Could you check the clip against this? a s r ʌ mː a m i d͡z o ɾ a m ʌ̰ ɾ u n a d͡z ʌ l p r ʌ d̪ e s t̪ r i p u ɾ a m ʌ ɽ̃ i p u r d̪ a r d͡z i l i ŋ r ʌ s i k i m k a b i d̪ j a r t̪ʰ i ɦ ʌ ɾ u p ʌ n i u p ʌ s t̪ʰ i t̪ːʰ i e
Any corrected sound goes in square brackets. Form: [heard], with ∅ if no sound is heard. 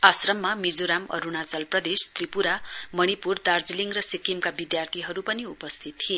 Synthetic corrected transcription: a s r ʌ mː a m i d͡z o ɾ a m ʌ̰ ɾ u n a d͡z ʌ l p r ʌ d̪ e s t̪ r i p u ɾ a m ʌ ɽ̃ i p u r d̪ a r d͡z i l i ŋ r ʌ s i k i m k a b i d̪ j a r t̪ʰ i ɦ ʌ ɾ u p ʌ n i u p ʌ s t̪ʰ i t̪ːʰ i e